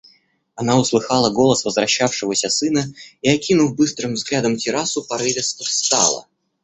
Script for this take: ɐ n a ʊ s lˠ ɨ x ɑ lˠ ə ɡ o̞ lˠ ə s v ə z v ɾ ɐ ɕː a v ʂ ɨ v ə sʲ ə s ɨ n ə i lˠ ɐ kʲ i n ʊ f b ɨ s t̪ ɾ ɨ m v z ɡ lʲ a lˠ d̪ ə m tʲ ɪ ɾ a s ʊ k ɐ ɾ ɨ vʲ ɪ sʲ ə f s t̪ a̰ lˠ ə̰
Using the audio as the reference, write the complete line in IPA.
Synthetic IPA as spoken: ɐ n a ʊ s lˠ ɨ x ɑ lˠ ə ɡ o̞ lˠ ə s v ə z v ɾ ɐ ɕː a f ʂ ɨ v ə sʲ ə s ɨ n ə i ɐ kʲ i n ʊ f b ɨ s t̪ ɾ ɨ m v z ɡ lʲ a d̪ ə m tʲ ɪ ɾ a s ʊ p ɐ ɾ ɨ vʲ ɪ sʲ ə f s t̪ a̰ lˠ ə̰